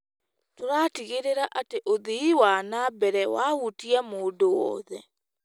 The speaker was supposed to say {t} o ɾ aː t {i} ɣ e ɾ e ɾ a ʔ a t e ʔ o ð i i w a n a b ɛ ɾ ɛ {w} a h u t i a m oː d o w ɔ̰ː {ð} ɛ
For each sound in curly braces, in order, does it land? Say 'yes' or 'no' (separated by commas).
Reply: yes, yes, yes, yes